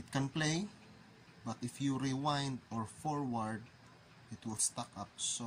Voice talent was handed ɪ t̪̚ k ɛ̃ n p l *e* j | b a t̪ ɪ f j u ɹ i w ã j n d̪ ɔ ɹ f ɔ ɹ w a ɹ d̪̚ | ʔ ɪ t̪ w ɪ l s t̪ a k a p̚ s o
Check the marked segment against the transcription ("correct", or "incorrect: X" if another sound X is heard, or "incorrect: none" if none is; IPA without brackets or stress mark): correct